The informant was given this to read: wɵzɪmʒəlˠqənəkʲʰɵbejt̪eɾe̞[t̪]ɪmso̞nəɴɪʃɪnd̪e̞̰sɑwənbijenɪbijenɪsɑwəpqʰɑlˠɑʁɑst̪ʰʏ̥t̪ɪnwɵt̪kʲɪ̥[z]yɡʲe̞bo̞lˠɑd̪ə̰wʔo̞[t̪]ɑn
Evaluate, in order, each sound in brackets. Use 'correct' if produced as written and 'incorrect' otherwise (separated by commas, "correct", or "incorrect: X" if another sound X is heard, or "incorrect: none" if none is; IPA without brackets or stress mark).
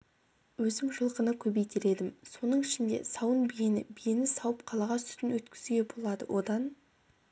incorrect: d̪, correct, incorrect: d̪